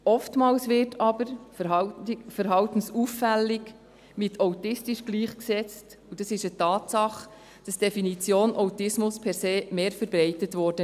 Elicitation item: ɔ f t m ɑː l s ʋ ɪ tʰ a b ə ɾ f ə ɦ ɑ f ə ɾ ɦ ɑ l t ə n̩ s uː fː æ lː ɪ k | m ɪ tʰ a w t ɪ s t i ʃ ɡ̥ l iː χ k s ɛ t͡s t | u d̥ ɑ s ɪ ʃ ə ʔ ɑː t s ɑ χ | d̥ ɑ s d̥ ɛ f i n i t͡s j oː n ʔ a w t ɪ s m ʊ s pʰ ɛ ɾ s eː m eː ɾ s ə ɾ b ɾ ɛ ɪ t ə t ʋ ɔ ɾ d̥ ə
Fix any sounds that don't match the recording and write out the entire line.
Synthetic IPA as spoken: ɔ f t m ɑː l s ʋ ɪ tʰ ɑ b ə ɾ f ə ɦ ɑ f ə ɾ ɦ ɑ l t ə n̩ s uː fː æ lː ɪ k | m ɪ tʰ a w t ɪ s t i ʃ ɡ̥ l iː χ k s ɛ t͡s t | u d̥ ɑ s ɪ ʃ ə t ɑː t s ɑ χ | d̥ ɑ s d̥ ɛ f i n i t͡s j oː n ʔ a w t ɪ s m ʊ s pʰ ɛ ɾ s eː m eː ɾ f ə ɾ b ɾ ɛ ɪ t ə t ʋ ɔ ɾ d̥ ə